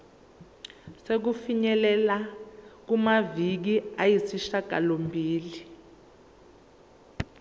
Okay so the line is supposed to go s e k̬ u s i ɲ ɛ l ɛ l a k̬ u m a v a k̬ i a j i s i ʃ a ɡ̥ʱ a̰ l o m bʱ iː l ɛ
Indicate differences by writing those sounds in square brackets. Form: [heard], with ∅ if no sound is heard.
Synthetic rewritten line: s e k̬ u [f] i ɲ ɛ l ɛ l a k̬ u m a v [i] k̬ i a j i s i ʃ a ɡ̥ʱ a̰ l o m bʱ iː l [i]